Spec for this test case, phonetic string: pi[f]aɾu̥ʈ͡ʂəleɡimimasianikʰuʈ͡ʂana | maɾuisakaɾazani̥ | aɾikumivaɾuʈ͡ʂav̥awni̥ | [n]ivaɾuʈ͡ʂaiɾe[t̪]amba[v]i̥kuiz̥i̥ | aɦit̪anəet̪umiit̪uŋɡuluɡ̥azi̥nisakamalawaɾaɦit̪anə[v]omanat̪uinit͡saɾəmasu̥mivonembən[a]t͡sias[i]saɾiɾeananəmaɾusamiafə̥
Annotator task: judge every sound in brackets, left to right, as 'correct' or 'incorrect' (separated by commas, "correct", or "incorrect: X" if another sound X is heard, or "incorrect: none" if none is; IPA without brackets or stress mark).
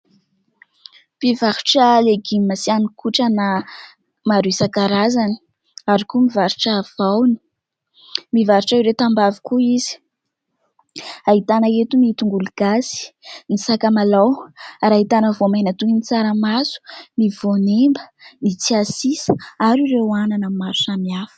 incorrect: v, incorrect: m, correct, correct, correct, incorrect: i, correct